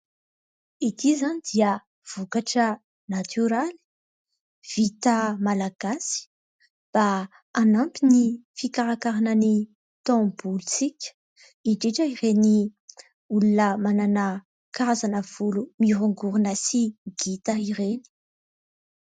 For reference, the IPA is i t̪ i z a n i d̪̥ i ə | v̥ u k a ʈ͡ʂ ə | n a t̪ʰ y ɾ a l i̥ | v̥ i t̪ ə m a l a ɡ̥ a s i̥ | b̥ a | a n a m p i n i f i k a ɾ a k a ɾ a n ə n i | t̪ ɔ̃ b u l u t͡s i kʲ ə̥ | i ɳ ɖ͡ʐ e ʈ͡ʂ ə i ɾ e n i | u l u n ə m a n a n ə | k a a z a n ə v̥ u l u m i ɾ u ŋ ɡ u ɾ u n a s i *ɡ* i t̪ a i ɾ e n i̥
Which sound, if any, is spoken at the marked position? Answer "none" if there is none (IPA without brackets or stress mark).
ɡ